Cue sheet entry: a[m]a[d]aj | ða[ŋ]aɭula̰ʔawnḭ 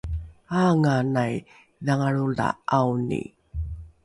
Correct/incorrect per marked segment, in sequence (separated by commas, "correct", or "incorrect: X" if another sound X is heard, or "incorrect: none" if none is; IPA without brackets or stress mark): incorrect: ŋ, incorrect: n, correct